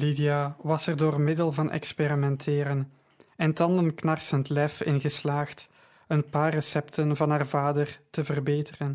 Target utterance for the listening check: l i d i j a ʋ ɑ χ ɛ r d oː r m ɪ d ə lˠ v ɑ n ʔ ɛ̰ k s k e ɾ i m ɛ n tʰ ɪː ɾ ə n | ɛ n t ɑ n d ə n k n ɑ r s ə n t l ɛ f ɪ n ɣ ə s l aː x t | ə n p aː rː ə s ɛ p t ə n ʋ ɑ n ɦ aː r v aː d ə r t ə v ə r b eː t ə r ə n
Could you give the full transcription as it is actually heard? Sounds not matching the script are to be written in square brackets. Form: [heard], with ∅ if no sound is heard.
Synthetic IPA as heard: l i d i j a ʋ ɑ [s] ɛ r d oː r m ɪ d ə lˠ v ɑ n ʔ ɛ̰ k s [p] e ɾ i m ɛ n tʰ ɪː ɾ ə n | ɛ n t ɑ n d ə n k n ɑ r s ə n t l ɛ f ɪ n ɣ ə s l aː x t | ə n p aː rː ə s ɛ p t ə n [v] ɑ n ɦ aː r v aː d ə r t ə v ə r b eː t ə r ə n